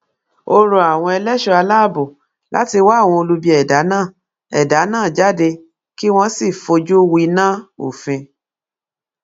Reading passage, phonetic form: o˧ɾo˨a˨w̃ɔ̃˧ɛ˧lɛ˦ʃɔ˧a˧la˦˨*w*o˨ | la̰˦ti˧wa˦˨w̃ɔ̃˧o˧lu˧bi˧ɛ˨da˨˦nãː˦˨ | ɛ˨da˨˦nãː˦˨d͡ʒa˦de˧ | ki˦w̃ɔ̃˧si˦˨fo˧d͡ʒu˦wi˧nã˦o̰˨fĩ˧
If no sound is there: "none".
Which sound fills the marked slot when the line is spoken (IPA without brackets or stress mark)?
b